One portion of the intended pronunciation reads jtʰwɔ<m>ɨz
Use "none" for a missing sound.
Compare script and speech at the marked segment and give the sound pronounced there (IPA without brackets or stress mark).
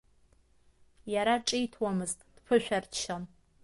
m